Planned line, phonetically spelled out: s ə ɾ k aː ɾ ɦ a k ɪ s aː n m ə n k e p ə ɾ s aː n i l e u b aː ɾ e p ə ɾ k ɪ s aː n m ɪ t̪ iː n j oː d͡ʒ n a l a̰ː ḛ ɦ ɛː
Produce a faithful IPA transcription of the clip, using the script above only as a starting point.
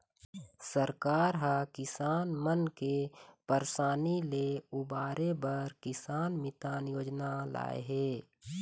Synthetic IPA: s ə ɾ k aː ɾ ɦ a k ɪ s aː n m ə n k e p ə ɾ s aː n i l e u b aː ɾ e b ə ɾ k ɪ s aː n m ɪ t̪ aː n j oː d͡ʒ n a l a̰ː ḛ ɦ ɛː